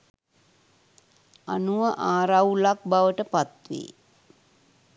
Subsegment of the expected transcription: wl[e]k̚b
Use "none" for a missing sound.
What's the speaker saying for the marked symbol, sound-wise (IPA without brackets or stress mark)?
a